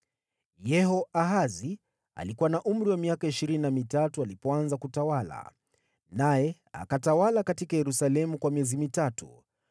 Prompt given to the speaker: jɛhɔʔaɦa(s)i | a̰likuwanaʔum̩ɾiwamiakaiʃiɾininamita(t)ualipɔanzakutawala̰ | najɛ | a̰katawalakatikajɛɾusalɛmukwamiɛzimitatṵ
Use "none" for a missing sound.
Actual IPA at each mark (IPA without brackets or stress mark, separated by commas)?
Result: z, t